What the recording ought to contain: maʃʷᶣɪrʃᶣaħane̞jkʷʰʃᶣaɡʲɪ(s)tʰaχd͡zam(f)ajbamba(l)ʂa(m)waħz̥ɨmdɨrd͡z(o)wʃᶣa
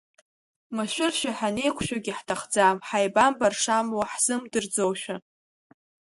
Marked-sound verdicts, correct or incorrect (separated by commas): incorrect, incorrect, incorrect, correct, correct